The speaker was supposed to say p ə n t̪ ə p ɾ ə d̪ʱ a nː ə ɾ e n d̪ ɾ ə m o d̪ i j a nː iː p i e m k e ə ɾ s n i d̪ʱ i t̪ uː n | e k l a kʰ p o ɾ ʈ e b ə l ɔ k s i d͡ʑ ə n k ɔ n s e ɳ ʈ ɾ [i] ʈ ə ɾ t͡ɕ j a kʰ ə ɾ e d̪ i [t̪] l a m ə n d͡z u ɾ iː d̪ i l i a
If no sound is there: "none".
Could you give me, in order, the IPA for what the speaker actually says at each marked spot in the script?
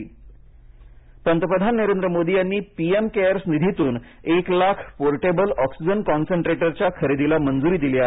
e, none

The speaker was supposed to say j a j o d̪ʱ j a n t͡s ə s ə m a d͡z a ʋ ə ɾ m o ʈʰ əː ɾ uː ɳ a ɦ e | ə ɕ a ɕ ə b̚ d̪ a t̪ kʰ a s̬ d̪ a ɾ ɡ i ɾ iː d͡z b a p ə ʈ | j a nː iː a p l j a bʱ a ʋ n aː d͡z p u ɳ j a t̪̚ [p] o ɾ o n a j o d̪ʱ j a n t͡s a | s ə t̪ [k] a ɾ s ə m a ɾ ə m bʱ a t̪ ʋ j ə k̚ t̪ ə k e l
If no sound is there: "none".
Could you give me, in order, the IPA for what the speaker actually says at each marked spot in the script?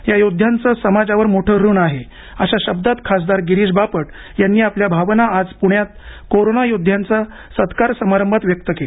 k, k

